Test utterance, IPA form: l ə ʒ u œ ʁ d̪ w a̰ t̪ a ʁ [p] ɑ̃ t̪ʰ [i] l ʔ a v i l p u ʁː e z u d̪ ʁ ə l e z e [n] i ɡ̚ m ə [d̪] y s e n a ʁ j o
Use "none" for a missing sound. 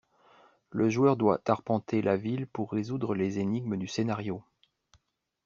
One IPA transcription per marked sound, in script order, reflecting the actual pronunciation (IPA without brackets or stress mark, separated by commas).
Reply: p, e, n, d̪